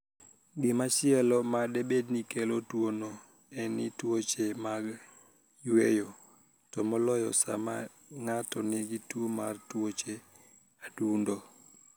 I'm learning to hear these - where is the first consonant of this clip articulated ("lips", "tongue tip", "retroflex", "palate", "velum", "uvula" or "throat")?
velum